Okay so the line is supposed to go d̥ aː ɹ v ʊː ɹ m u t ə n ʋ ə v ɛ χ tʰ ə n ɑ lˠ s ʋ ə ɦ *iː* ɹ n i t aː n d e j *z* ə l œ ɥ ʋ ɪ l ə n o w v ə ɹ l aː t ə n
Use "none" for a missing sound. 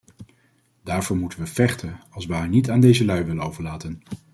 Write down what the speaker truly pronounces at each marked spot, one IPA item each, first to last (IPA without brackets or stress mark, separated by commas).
aː, z